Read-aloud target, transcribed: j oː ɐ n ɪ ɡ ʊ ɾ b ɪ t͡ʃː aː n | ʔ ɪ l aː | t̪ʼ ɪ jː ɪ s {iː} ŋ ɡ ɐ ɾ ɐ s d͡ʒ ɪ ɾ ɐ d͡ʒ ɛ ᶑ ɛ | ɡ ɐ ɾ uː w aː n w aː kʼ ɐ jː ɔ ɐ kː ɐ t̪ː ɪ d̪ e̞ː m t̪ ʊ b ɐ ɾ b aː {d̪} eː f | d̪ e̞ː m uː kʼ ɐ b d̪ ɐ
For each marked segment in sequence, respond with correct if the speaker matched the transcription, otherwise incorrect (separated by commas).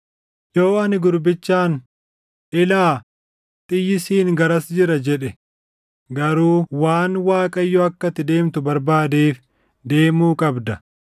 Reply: correct, correct